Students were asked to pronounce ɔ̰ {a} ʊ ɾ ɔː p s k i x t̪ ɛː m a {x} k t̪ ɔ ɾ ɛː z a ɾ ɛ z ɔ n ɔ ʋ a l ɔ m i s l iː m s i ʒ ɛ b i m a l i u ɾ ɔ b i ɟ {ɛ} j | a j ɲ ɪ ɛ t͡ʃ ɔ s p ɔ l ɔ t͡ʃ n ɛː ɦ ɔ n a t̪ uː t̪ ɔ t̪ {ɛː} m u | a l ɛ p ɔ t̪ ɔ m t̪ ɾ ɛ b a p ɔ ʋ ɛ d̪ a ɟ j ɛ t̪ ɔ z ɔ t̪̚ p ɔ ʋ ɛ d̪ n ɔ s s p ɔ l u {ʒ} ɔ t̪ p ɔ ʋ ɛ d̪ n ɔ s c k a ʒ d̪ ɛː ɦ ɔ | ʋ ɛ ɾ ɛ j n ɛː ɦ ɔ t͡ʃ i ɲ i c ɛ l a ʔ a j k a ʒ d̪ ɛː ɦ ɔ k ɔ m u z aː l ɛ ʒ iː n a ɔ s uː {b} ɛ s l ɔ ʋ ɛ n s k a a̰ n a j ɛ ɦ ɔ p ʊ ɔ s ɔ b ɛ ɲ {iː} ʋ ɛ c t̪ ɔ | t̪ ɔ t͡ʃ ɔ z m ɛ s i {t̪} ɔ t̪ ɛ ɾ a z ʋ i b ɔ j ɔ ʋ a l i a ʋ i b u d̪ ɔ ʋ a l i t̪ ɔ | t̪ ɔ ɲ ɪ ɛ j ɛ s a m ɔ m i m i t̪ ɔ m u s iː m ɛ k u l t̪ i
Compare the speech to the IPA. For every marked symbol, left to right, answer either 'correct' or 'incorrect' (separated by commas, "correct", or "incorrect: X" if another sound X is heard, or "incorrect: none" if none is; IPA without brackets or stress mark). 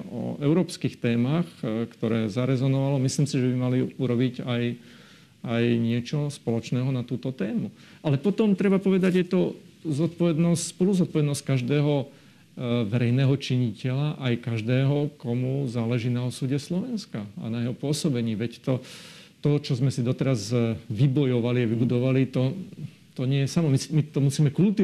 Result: incorrect: ɛ, correct, incorrect: a, correct, incorrect: z, incorrect: ɟ, correct, incorrect: d̪